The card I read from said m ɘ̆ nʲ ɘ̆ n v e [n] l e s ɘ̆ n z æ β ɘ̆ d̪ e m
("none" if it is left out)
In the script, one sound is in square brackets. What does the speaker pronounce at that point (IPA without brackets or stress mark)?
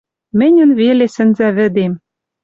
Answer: none